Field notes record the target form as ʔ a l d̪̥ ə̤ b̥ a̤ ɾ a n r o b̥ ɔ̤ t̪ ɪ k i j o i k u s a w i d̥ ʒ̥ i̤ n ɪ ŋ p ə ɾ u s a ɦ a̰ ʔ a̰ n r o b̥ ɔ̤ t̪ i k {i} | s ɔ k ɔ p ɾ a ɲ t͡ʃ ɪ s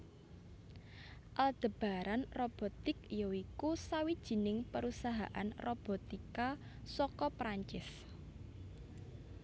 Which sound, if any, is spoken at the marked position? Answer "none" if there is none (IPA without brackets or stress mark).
a